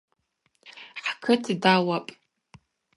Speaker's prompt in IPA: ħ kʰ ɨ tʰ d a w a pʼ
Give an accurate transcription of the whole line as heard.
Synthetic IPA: ħ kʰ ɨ tʰ d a w a pʼ